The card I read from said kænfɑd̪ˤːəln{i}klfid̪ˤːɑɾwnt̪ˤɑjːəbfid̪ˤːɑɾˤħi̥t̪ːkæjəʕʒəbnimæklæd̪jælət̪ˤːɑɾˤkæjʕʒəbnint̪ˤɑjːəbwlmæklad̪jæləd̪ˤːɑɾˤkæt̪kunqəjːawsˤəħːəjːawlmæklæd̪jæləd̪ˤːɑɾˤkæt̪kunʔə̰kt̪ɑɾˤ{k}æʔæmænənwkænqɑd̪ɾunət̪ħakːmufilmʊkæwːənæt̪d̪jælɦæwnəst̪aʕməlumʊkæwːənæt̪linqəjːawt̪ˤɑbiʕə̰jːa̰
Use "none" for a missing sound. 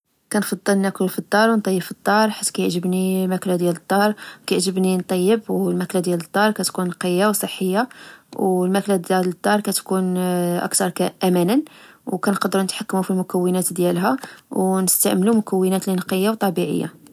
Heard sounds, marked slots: æ, k

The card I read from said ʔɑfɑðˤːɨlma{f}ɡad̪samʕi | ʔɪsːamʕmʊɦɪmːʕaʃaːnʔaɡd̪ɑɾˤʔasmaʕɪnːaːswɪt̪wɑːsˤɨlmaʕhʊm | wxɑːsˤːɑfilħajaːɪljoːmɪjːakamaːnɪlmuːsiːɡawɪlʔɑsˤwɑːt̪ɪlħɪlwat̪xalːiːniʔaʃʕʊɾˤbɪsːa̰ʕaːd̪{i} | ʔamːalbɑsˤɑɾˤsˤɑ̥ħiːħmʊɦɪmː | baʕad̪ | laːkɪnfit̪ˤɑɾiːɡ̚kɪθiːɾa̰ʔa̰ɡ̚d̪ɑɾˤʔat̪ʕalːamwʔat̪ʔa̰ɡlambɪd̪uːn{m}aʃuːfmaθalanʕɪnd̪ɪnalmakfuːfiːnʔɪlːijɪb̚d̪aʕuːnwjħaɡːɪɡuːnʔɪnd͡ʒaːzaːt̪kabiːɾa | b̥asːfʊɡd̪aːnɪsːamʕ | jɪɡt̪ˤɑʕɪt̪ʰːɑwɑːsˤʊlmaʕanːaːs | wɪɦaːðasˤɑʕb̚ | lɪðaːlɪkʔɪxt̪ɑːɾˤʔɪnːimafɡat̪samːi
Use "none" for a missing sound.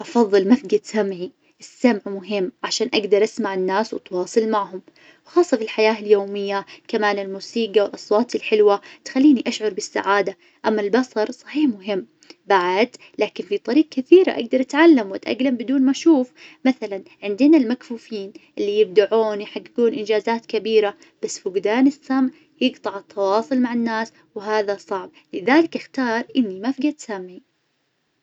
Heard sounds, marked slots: f, a, m

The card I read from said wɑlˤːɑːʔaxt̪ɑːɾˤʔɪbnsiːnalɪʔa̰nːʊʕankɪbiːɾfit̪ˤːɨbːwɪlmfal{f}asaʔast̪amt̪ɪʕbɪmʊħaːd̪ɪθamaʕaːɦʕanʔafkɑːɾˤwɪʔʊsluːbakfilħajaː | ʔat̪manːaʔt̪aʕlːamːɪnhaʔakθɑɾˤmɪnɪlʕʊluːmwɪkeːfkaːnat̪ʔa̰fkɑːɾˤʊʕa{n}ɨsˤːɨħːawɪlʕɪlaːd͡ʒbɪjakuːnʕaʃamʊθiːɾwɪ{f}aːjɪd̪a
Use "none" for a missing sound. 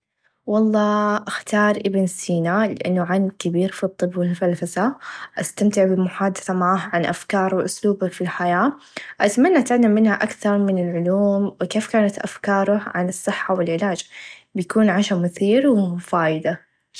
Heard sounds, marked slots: f, n, f

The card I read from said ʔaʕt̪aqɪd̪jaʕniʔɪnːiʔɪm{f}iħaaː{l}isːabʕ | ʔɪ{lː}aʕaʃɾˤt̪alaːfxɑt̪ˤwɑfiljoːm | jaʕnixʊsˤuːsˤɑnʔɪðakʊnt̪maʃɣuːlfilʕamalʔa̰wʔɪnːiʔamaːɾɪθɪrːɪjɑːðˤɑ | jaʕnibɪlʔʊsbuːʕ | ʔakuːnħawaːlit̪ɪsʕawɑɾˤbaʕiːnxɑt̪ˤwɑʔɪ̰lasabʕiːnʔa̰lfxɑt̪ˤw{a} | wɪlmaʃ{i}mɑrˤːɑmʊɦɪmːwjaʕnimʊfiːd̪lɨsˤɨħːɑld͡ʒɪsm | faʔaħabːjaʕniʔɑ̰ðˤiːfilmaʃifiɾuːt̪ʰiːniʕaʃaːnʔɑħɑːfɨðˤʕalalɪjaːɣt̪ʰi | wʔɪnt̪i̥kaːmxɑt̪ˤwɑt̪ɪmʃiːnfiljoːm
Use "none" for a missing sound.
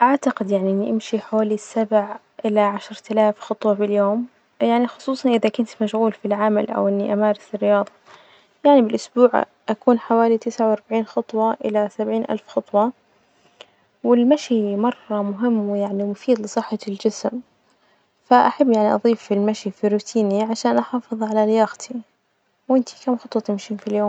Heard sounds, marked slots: ʃ, l, l, ɑ, i

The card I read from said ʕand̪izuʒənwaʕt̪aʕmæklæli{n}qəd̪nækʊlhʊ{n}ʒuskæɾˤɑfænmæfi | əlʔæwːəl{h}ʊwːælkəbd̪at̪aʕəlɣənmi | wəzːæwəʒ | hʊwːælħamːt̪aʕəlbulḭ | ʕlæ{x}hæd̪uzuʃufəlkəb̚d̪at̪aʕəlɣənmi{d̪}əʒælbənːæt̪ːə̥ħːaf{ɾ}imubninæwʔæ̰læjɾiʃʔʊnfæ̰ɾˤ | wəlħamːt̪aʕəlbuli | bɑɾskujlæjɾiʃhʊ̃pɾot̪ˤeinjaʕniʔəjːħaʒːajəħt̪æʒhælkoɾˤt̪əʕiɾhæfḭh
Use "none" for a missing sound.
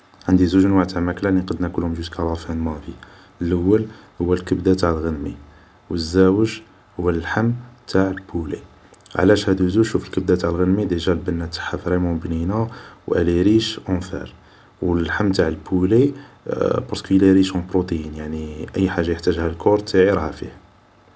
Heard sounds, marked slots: n, m, h, ʃ, d̪, ɾ

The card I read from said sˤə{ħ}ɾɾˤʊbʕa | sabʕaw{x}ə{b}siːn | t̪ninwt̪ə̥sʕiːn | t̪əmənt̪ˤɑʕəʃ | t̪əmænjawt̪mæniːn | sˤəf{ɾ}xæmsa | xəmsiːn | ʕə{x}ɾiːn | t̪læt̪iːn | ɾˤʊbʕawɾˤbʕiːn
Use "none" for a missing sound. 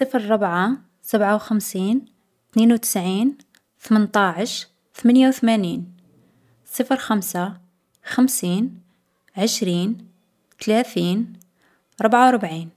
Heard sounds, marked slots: f, x, m, ɾ, ʃ

